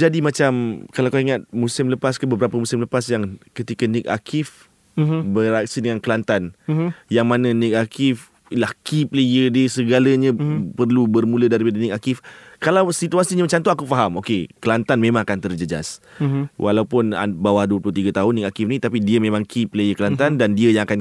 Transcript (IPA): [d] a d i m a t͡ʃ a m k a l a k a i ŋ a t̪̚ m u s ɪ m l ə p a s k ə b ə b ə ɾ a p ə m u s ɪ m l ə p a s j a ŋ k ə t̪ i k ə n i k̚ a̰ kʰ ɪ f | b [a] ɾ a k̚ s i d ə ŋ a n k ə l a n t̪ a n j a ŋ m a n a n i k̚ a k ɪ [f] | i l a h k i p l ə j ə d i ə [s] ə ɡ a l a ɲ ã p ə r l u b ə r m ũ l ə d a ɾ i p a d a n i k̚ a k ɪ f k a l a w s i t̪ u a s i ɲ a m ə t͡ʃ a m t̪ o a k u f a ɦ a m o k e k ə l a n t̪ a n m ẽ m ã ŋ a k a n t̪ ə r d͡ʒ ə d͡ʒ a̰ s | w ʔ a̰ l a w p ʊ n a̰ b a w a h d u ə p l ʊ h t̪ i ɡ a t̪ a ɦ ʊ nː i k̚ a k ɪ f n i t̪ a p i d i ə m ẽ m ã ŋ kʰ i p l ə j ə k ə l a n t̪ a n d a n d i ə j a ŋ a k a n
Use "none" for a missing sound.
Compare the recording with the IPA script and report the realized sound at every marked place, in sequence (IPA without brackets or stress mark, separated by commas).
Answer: d͡ʒ, ə, f, s